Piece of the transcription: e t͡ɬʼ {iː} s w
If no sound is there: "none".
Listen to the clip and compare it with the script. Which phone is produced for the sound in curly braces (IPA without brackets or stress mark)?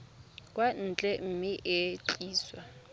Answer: iː